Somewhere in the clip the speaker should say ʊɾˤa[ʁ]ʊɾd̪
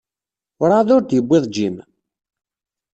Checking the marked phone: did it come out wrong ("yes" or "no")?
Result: yes